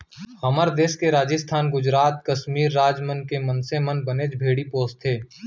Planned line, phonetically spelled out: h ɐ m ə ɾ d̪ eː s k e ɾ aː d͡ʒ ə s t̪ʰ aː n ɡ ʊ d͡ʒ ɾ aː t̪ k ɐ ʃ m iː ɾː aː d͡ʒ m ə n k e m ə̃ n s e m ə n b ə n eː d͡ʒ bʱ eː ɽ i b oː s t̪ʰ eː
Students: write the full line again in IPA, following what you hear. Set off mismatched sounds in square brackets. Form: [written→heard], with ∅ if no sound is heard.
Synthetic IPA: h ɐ m ə ɾ d̪ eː s k e ɾ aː d͡ʒ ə s t̪ʰ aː n ɡ ʊ d͡ʒ ɾ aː t̪ k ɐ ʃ m iː ɾː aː d͡ʒ m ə n k e m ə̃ n s e m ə n b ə n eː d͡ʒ bʱ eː ɽ i [b→p] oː s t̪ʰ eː